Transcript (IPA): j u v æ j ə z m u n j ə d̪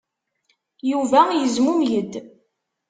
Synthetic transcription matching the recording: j u v æ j ə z m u m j ə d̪